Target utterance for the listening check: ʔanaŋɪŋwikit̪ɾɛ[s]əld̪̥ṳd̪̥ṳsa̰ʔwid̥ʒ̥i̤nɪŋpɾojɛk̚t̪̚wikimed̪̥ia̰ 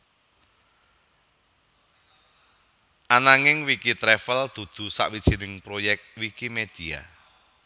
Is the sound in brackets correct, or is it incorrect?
incorrect